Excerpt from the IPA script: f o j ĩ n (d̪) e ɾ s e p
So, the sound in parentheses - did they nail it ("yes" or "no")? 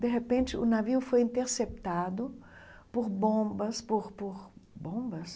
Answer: no